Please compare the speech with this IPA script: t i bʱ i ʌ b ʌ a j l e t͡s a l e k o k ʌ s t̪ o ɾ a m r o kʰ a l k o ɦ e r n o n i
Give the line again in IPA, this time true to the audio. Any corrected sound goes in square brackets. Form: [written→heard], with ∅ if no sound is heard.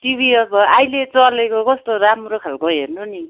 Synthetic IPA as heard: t i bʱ i ʌ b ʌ a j l e t͡s [a→ʌ] l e k o k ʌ s t̪ o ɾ a m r o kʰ a l k o ɦ e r n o n i